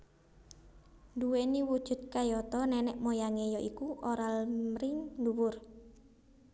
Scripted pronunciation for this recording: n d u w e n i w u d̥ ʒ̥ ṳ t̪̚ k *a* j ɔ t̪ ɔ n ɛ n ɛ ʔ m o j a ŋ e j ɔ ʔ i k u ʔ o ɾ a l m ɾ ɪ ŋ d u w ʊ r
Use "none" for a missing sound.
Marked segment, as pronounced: a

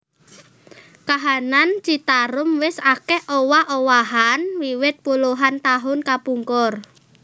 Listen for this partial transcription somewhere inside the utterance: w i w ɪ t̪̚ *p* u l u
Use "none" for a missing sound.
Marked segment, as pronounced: p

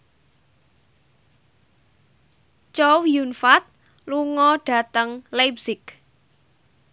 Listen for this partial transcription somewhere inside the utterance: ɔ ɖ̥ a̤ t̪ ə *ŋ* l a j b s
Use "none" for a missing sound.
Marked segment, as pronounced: ŋ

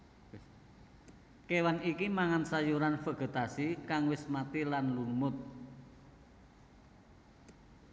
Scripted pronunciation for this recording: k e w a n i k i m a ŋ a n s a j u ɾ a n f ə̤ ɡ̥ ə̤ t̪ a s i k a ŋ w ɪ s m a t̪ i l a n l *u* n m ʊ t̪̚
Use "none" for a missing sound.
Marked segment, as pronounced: u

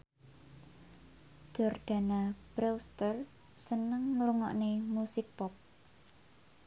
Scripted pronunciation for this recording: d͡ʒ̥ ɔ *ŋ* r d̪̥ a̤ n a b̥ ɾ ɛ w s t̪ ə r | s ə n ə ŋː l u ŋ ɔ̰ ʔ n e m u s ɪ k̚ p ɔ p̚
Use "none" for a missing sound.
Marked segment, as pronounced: none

